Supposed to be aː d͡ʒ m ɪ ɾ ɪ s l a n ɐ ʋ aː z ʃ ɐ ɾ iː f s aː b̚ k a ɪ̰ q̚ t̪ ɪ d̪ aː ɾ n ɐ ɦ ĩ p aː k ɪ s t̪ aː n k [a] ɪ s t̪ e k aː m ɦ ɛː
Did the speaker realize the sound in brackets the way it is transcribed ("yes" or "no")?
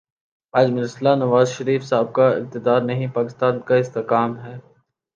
yes